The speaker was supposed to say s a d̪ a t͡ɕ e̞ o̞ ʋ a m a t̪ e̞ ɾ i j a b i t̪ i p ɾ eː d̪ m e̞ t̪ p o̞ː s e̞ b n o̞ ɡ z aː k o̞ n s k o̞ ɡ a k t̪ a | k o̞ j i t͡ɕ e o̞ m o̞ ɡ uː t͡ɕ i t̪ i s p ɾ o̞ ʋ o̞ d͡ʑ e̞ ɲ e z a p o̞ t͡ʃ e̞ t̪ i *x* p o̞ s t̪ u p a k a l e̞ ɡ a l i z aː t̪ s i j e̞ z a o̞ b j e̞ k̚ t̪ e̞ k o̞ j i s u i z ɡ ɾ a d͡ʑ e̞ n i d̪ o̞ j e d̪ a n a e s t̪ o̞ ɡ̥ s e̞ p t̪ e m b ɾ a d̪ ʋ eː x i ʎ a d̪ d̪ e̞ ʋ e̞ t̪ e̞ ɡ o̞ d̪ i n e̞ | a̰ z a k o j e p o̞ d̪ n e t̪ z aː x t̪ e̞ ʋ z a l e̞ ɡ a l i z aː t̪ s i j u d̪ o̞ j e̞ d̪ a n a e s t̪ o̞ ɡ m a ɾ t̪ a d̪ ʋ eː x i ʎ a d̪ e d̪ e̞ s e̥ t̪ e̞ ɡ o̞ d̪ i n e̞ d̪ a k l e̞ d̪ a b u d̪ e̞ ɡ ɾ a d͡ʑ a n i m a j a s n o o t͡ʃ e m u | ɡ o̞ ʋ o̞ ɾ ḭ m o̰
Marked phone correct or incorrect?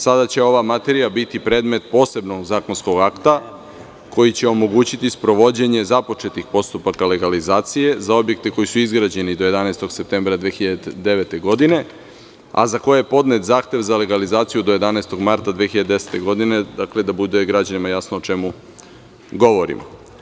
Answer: correct